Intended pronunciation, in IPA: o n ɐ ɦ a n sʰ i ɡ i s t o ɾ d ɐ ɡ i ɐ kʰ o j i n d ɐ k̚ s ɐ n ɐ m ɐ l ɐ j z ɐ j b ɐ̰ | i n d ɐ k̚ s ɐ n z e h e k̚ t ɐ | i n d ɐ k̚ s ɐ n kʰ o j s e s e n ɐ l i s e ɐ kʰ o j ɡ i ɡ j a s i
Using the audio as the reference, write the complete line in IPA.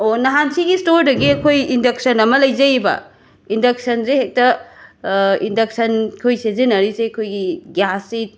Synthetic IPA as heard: o n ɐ ɦ a n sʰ i ɡ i s t o ɾ d ɐ ɡ i ɐ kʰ o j i n d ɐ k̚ s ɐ n ɐ m ɐ l ɐ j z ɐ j b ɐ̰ | i n d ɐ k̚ s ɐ n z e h e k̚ t ɐ | i n d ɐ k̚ s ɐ n kʰ o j s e z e n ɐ ɾ i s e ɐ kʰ o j ɡ i ɡ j a s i

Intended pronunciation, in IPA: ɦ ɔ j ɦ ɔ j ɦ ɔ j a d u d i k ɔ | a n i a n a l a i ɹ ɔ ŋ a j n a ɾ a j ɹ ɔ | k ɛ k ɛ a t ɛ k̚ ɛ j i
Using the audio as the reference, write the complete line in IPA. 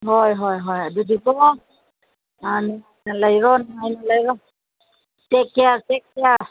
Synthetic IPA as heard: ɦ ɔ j ɦ ɔ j ɦ ɔ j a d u d i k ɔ | a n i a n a l a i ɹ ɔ n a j n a l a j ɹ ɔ | t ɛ k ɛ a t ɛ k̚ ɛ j a

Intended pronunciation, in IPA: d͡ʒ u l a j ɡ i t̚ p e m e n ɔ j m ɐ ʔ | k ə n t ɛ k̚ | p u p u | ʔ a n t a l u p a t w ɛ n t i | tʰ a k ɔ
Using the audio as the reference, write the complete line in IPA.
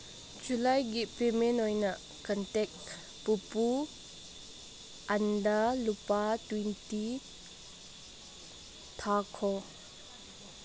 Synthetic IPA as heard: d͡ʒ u l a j ɡ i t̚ p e m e n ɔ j n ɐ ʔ | k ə n t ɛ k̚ | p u p u | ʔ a n d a l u p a t w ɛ n t i | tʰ a kʰ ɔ

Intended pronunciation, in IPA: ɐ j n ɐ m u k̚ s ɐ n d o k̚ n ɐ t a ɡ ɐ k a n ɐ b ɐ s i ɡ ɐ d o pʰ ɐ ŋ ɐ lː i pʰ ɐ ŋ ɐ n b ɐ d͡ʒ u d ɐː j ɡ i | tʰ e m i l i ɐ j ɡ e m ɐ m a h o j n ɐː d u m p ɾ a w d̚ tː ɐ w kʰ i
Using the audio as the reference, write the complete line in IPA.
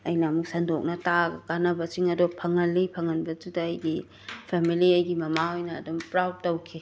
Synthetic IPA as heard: ɐ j n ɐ m u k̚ s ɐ n d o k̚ n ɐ t a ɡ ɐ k a n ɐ b ɐ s i ŋ ɐ d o pʰ ɐ ŋ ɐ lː i pʰ ɐ ŋ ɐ n b ɐ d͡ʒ u d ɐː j ɡ i | pʰ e m i l i ɐ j ɡ i m ɐ m a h o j n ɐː d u m p ɾ a w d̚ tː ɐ w kʰ i

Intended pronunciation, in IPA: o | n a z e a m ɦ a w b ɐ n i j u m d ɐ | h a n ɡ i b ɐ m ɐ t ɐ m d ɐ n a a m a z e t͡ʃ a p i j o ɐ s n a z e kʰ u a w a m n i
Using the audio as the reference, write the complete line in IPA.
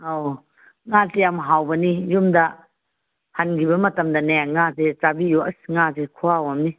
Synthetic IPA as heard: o | ŋ a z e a m ɦ a w b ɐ n i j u m d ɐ | h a n ɡ i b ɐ m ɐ t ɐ m d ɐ n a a ŋ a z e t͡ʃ a b i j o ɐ s ŋ a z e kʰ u a w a m n i

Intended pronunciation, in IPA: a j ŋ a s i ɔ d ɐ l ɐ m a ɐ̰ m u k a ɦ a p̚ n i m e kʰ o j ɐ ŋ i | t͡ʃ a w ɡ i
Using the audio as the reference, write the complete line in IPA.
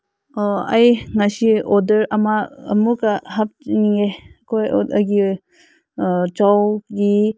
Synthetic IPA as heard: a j ŋ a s i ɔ d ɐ ɾ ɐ m a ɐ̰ m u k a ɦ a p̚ n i ŋ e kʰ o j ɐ ɡ i | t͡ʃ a w ɡ i

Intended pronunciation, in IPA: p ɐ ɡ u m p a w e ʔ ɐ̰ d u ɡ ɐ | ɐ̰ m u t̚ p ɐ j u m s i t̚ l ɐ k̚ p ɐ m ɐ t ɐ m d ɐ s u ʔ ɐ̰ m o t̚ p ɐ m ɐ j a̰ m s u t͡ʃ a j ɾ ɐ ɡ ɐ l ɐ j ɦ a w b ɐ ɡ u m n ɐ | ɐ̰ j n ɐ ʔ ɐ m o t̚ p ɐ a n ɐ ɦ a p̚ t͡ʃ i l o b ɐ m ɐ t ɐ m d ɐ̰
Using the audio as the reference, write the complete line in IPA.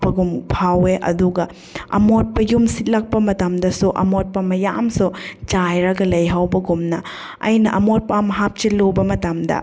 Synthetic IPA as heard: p ɐ ɡ u m pʰ a w e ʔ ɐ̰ d u ɡ ɐ | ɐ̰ m o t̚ p ɐ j u m s i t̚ l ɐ k̚ p ɐ m ɐ t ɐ m d ɐ s u ʔ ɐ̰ m o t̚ p ɐ m ɐ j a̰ m s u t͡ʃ a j ɾ ɐ ɡ ɐ l ɐ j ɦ a w b ɐ ɡ u m n ɐ | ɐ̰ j n ɐ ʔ ɐ m o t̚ p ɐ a m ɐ ɦ a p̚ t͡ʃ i l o b ɐ m ɐ t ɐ m d ɐ̰

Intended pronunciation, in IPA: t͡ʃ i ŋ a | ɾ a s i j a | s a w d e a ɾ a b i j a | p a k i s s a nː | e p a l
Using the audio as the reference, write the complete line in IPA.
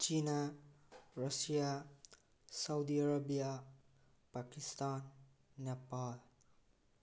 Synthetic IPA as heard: t͡ʃ i n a | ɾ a s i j a | s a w d i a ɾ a b i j a | p a k i s t a nː | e p a l

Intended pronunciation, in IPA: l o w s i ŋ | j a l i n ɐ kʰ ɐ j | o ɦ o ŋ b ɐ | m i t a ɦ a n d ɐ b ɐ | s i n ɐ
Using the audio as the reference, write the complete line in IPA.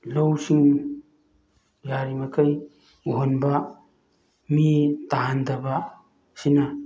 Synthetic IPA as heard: l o w s i ŋ | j a ɾ i m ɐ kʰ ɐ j | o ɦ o n b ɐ | m i t a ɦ a n d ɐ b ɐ | s i n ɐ

